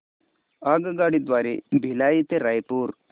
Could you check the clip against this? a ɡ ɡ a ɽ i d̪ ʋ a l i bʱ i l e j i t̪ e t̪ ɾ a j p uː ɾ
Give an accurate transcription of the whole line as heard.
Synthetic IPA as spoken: a ɡ ɡ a ɽ i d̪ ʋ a ɾ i bʱ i l a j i t̪ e ɾ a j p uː ɾ